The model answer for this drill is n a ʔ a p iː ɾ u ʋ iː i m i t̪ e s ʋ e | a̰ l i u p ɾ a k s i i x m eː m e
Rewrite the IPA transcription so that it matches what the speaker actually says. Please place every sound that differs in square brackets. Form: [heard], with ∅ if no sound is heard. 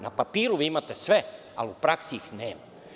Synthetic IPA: n a [p] a p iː ɾ u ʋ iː i m [a] t̪ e s ʋ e | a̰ l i u p ɾ a k s i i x [n] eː m [a]